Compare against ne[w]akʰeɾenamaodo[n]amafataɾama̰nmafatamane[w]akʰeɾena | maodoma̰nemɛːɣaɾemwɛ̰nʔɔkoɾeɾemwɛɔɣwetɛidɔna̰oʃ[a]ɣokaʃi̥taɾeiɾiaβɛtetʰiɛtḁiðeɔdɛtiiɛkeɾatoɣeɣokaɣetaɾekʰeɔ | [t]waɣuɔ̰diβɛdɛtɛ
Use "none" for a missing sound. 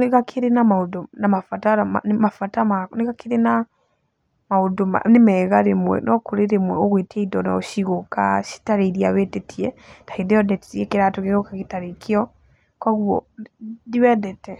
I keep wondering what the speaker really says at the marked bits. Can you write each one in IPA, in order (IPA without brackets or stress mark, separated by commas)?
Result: ɣ, n, ɣ, i, k